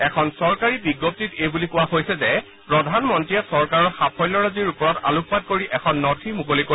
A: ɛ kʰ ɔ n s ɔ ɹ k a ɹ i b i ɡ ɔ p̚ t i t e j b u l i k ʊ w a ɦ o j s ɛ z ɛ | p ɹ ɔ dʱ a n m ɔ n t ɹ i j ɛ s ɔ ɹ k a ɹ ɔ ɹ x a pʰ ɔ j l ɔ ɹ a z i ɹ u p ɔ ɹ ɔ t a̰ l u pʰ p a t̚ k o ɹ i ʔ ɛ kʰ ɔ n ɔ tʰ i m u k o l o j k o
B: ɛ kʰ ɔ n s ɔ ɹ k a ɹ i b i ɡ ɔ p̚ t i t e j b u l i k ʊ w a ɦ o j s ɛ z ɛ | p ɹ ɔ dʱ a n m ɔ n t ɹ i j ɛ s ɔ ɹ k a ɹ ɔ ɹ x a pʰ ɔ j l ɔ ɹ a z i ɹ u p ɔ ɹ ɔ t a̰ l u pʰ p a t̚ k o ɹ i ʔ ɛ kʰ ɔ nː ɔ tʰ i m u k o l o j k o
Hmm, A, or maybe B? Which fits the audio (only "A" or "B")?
B